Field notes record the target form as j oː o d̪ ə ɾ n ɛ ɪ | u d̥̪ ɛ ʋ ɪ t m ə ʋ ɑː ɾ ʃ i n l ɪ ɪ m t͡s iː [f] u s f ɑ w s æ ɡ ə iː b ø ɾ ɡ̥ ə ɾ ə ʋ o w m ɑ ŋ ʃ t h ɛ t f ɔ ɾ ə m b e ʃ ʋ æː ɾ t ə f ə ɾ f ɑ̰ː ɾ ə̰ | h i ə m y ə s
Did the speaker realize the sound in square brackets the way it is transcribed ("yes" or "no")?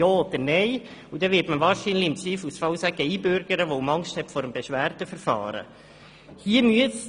yes